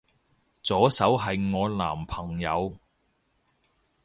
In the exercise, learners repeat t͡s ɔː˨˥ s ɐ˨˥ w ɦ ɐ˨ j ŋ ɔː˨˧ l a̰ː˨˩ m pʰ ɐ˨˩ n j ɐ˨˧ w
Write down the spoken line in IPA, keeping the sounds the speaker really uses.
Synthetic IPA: t͡s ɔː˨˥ s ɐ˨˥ w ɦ ɐ˨ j ŋ ɔː˨˧ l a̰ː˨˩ m pʰ ɐ˨˩ ŋ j ɐ˨˧ w